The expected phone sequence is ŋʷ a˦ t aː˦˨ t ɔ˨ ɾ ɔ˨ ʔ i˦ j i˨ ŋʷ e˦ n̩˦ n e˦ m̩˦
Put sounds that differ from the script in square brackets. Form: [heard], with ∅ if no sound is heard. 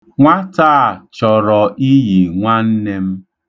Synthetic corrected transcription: ŋʷ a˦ t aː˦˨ [t͡ʃ] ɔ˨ ɾ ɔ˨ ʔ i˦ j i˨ ŋʷ [a˦] n̩˦ n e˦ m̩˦